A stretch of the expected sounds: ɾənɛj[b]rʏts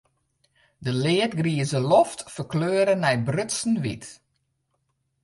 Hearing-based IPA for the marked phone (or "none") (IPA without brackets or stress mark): b